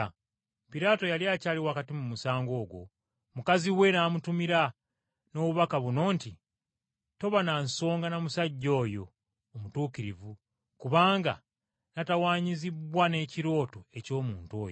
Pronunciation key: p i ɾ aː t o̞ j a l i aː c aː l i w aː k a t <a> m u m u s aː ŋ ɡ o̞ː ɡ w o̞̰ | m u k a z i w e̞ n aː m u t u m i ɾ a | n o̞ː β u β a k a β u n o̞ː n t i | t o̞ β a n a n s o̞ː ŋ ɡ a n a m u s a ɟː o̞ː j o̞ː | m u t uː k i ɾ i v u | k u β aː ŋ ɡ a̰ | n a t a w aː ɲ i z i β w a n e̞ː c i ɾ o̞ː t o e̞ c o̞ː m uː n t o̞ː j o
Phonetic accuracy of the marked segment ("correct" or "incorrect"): incorrect